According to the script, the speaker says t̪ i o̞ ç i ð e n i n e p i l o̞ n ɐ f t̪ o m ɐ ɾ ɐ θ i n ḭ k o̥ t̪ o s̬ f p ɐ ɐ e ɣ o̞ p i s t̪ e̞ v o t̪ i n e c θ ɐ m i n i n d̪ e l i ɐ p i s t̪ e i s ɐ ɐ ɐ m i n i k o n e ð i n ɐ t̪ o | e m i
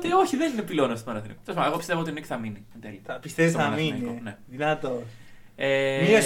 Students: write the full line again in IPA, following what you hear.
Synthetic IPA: t̪ i o̞ ç i ð e n i n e p i l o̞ n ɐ s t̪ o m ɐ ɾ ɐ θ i n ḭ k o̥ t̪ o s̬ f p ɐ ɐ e ɣ o̞ p i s t̪ e̞ v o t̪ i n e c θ ɐ m i n i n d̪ e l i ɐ p i s t̪ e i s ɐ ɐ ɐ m i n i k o n e ð i n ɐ t̪ o | e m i